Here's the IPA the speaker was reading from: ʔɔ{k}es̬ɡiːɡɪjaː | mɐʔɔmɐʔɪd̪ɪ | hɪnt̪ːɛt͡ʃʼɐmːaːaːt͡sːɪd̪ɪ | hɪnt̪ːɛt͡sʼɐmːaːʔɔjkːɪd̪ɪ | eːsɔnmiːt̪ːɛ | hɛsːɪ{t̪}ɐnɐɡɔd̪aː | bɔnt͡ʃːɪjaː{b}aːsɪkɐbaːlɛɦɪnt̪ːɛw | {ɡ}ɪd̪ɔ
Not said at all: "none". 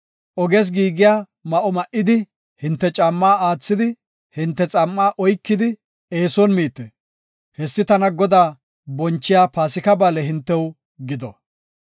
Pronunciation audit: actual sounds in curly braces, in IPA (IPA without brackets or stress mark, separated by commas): ɡ, t̪, p, ɡ